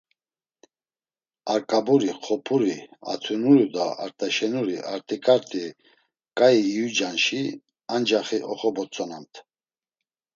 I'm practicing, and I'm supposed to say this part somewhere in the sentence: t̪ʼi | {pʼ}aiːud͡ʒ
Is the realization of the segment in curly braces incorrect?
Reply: yes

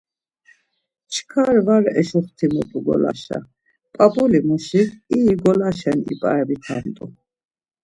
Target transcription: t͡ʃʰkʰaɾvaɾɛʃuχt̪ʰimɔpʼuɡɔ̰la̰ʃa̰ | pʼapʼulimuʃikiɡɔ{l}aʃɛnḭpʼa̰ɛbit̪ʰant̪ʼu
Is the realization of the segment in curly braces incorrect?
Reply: no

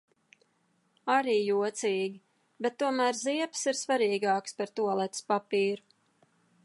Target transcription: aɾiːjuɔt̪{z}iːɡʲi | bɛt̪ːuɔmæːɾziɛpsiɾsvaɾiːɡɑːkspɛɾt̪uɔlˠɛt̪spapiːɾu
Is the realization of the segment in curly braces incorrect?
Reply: yes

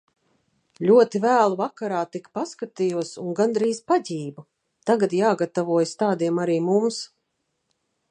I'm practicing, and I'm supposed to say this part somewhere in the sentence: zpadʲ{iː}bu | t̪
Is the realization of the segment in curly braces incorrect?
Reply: no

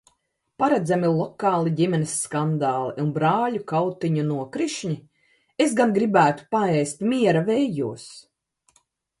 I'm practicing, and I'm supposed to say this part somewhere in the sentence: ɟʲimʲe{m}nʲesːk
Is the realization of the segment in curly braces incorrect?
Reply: yes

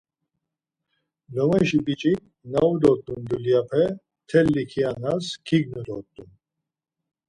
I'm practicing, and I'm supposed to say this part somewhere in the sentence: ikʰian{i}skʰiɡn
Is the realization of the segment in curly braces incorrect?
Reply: yes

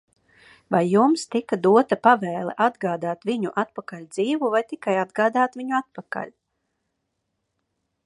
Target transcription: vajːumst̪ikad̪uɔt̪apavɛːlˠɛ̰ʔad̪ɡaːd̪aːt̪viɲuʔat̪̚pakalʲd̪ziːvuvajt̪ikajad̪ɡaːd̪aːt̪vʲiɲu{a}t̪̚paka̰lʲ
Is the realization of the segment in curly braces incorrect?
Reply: no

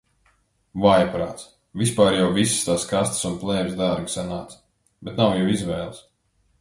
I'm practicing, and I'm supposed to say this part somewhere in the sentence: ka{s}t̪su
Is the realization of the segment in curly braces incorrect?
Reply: no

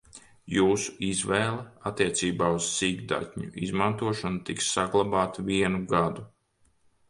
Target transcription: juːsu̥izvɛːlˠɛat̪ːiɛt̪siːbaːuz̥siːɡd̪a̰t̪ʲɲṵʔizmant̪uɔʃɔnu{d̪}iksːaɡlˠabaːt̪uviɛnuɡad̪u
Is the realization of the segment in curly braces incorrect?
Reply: yes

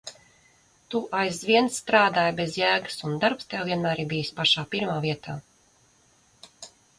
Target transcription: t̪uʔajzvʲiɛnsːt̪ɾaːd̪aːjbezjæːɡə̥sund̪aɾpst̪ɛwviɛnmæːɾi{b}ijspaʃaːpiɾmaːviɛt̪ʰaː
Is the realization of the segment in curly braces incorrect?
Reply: no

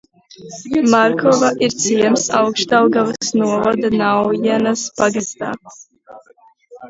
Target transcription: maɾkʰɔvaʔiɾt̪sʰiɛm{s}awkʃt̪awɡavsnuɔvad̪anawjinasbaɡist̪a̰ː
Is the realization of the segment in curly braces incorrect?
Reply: no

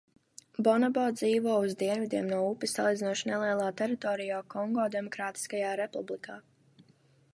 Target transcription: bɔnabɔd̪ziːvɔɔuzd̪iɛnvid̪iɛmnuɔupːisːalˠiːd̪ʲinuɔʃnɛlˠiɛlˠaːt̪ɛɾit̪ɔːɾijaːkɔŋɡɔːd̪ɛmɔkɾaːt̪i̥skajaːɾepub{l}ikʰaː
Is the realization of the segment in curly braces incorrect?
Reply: no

